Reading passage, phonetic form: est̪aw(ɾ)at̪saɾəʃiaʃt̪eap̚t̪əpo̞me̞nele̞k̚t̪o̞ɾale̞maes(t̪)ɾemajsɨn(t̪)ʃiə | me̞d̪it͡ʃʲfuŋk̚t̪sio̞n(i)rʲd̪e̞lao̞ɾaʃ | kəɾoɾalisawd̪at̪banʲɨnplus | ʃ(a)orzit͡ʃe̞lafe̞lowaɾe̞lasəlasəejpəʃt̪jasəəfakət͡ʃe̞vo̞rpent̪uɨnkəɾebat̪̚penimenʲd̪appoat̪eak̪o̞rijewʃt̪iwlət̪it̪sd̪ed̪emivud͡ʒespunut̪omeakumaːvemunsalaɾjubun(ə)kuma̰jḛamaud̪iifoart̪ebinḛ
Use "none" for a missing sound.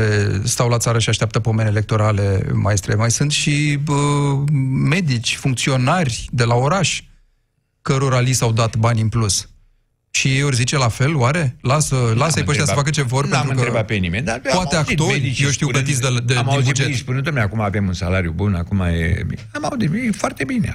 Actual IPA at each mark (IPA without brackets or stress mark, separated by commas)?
l, t̪, t̪, a, i, a